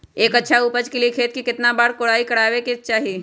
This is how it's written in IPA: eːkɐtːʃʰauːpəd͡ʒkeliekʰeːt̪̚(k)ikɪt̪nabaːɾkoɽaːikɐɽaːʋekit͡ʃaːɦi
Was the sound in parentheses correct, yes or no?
yes